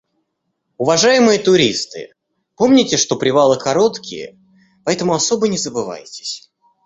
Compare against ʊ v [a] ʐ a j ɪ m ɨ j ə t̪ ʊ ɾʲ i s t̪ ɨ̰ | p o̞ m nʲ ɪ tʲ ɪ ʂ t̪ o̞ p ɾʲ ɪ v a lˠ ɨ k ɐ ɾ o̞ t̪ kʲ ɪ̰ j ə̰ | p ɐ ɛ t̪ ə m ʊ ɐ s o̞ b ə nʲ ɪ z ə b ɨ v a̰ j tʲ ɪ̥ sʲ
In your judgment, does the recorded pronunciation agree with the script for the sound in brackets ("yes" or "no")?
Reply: no